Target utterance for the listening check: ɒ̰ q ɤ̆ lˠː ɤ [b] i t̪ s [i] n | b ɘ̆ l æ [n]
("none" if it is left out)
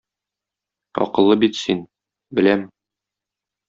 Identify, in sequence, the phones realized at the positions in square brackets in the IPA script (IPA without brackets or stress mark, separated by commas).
b, i, m